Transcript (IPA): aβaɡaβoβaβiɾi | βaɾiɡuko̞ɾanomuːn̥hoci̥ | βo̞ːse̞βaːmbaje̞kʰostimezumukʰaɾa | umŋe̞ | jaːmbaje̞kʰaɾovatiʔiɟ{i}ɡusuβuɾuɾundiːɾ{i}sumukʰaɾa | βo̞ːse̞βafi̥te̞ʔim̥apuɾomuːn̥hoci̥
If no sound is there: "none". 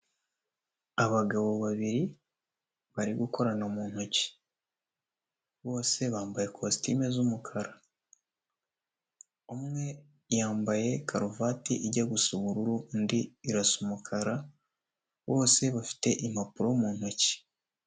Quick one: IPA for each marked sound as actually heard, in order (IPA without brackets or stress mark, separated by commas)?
a, a